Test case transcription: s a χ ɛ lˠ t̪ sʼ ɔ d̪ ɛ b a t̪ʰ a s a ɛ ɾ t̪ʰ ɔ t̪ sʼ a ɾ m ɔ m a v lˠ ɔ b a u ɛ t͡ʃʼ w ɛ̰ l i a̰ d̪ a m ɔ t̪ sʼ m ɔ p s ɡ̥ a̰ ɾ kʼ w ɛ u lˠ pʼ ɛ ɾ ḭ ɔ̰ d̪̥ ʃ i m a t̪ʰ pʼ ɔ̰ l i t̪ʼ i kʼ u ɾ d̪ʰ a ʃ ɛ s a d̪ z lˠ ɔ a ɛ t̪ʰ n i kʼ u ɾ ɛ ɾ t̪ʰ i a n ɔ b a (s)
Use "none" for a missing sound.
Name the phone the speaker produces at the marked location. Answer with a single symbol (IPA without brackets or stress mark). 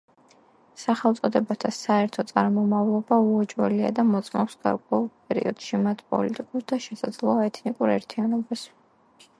s